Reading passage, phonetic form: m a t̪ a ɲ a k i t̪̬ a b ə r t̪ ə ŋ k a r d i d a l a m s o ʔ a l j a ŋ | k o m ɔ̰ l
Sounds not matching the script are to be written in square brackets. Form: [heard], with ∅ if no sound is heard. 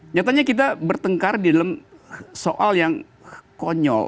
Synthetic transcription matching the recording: [ɲ] a t̪ a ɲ a k i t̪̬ a b ə r t̪ ə ŋ k a r d i d a l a m s o ʔ a l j a ŋ | k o [ɲ] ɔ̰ l